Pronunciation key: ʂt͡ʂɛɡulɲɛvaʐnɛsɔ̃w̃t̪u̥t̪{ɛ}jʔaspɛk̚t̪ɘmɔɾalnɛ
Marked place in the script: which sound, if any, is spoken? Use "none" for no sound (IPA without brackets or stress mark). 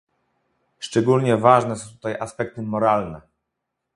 a